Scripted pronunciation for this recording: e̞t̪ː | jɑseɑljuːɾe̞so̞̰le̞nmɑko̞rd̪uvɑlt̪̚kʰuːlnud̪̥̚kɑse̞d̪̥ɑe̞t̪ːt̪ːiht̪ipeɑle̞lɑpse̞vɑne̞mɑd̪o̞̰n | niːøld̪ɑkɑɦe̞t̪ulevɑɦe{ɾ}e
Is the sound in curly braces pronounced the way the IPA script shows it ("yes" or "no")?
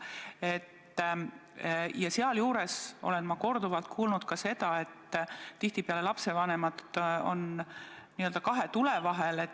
no